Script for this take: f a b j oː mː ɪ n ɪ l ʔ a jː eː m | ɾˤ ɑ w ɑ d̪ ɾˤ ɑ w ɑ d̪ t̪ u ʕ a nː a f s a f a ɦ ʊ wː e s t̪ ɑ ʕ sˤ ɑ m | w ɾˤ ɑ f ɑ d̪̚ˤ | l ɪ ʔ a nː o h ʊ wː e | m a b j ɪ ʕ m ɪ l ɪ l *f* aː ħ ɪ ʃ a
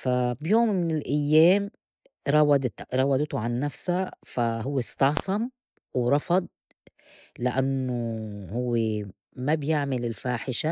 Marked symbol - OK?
yes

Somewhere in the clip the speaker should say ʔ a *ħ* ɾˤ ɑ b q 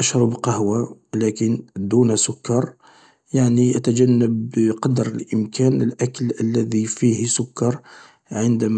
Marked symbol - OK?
no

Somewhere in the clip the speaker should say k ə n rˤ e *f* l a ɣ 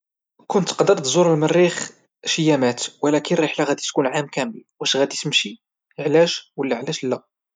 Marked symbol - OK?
no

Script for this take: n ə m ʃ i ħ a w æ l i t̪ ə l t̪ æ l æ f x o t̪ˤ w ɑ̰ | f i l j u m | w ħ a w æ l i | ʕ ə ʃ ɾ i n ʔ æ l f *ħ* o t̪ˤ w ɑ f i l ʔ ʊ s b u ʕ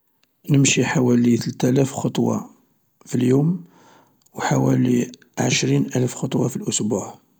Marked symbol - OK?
no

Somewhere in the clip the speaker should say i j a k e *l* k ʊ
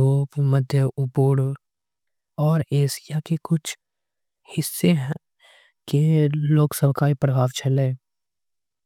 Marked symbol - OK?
no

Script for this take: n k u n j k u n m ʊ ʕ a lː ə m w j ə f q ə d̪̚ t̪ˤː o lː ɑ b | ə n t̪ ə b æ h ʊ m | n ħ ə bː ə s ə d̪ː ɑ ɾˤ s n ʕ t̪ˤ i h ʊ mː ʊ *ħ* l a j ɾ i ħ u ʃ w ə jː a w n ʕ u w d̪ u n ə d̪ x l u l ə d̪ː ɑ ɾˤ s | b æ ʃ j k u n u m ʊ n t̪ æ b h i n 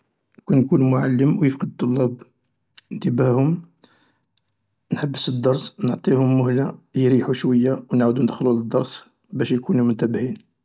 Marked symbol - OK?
no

